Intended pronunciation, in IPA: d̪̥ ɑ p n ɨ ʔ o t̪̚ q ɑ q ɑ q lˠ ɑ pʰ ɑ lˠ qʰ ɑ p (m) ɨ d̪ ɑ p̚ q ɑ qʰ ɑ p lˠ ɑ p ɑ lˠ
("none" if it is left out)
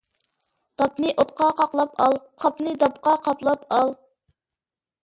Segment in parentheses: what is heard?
n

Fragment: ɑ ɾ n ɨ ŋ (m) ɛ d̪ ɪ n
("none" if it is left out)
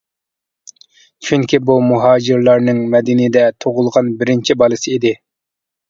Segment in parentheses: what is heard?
m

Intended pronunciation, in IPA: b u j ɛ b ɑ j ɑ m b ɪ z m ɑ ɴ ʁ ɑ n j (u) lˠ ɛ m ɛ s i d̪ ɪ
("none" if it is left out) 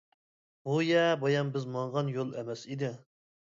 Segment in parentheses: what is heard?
o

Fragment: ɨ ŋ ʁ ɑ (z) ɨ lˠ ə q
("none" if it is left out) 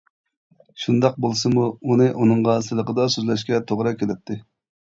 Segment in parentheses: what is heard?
s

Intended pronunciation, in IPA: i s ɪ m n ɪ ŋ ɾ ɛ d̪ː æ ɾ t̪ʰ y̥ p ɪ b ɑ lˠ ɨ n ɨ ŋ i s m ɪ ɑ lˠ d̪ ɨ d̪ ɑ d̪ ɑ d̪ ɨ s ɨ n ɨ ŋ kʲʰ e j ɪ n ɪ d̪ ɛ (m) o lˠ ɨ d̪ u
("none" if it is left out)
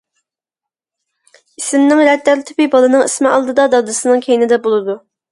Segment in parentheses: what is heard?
b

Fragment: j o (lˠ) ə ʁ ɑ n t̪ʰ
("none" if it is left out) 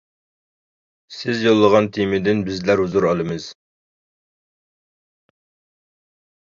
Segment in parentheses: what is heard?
lˠː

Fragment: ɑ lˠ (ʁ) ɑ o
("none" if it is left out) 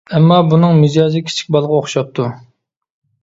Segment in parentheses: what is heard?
ʁ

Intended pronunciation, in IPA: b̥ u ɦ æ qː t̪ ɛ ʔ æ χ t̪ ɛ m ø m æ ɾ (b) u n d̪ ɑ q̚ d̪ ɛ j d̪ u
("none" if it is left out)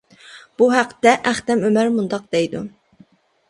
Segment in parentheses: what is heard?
m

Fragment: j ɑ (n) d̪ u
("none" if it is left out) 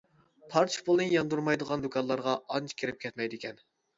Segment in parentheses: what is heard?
n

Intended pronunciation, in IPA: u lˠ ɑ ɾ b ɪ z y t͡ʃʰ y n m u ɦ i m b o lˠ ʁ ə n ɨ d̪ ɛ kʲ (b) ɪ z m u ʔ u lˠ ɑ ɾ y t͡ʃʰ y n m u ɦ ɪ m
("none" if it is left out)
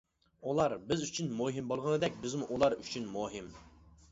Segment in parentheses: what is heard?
b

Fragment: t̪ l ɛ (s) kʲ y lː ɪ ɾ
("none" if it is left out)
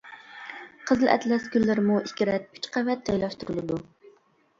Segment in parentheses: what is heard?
s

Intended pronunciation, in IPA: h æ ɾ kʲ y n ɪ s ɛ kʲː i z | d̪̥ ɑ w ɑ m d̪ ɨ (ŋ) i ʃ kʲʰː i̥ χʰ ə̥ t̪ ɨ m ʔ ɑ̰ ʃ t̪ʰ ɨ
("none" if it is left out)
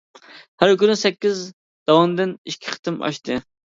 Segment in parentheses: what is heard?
n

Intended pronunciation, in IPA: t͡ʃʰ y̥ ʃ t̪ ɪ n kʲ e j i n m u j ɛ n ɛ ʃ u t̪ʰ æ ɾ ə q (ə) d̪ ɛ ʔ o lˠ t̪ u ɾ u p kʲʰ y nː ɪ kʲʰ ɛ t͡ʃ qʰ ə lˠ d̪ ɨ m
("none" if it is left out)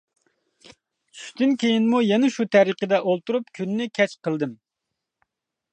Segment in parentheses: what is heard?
ə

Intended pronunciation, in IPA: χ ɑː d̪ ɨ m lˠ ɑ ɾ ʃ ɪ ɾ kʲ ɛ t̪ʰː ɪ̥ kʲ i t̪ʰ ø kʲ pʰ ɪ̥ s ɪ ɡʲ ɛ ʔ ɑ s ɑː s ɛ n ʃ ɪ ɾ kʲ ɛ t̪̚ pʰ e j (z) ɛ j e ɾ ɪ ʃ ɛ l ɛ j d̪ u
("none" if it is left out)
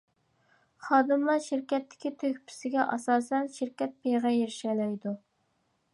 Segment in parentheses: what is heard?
ʁ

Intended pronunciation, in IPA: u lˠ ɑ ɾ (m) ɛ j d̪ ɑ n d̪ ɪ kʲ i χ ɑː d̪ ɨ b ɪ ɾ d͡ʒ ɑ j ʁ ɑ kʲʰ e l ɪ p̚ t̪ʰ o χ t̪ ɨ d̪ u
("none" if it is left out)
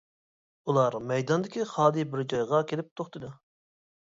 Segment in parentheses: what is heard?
m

